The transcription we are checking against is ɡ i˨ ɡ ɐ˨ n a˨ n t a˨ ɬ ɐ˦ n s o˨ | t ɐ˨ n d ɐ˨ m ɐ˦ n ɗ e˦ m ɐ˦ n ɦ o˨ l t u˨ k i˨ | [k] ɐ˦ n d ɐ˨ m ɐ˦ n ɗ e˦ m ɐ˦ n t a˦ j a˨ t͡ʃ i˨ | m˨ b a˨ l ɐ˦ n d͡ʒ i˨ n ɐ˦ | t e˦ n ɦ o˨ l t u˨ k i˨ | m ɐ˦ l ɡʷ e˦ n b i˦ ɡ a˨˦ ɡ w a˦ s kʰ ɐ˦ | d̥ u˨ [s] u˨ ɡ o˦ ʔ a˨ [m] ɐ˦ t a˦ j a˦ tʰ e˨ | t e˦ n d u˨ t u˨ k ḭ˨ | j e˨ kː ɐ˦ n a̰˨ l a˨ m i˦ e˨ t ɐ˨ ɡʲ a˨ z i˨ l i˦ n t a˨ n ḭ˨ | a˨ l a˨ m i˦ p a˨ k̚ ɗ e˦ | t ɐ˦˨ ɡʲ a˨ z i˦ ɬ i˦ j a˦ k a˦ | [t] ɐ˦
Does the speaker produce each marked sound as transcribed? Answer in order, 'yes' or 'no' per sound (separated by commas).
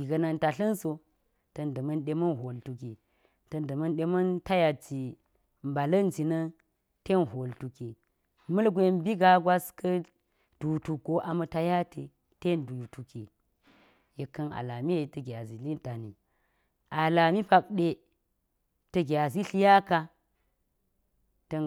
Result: no, no, yes, yes